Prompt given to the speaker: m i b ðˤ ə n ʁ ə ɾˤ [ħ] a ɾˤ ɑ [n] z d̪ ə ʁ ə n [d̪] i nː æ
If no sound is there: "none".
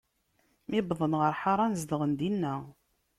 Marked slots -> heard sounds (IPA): ħ, n, d̪

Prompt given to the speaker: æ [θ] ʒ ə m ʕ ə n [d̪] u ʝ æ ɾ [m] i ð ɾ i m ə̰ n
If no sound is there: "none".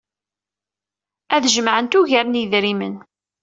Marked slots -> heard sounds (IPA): ð, t̪, n

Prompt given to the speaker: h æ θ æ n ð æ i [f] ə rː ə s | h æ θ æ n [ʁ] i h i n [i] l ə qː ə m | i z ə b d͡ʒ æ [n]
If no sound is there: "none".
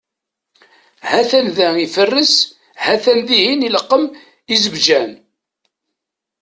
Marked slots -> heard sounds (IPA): f, ð, i, n

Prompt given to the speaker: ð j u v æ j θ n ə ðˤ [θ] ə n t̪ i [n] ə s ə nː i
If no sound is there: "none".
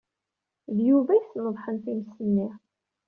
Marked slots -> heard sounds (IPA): ħ, m

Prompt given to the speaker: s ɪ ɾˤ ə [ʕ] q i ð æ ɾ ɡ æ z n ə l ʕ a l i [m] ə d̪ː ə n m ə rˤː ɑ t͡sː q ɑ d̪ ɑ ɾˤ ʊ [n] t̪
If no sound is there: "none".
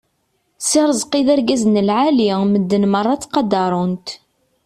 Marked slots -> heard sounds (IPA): z, m, n

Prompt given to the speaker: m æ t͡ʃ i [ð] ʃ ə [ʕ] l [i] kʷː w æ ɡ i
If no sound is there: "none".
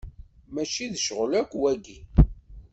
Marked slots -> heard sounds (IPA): ð, ʁ, æ

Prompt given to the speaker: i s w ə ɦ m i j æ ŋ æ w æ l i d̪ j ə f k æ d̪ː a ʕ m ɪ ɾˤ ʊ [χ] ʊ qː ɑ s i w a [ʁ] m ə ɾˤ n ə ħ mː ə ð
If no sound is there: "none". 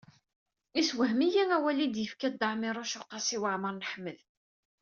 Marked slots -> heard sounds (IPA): ʃ, ʕ

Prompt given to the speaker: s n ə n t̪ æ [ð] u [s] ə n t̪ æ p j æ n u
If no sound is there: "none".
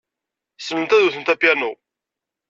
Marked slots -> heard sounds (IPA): ð, θ

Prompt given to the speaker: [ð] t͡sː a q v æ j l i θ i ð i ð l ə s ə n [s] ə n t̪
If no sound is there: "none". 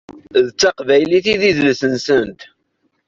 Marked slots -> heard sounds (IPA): ð, s

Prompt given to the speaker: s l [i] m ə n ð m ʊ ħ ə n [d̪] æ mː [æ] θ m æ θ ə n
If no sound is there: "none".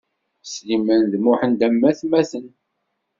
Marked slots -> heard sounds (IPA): i, d̪, æ

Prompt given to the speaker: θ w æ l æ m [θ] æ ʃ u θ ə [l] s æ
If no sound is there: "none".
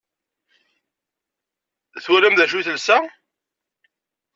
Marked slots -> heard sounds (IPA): ð, l

